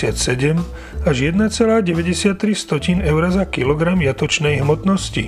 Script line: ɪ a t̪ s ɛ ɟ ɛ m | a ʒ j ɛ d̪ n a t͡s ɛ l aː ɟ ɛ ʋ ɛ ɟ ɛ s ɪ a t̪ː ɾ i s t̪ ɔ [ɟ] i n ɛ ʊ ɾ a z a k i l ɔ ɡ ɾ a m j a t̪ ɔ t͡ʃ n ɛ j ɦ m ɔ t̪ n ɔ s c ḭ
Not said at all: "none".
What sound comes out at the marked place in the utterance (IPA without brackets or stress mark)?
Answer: c